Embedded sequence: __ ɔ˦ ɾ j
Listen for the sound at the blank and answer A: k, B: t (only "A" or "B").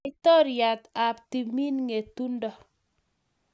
B